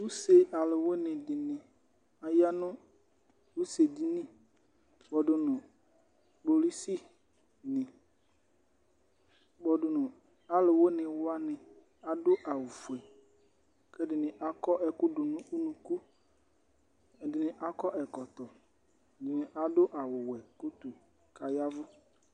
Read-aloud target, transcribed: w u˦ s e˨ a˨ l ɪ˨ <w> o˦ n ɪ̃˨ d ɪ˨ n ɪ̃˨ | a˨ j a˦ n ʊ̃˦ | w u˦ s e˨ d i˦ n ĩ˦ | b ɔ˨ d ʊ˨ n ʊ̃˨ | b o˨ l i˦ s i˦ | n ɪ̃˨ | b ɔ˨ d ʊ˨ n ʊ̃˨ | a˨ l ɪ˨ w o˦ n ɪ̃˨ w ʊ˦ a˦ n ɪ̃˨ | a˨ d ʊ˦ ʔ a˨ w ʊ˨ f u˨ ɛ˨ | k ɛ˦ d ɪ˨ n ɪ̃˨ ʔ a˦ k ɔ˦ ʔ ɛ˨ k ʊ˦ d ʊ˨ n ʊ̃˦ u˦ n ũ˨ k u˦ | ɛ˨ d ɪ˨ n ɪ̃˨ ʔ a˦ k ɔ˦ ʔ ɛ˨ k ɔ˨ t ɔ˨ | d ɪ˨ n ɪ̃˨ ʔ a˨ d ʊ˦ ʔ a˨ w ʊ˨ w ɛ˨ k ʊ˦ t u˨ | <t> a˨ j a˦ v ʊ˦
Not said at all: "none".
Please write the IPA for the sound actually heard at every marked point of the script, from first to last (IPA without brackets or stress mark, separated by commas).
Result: w, k